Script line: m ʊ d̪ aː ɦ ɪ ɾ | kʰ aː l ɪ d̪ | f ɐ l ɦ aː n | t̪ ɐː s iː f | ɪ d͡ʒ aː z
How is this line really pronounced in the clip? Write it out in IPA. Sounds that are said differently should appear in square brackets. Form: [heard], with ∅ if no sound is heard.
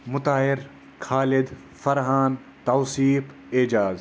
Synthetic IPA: m ʊ [t̪] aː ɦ ɪ ɾ | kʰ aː l ɪ d̪ | f ɐ [ɾ] ɦ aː n | t̪ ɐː s iː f | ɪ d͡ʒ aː z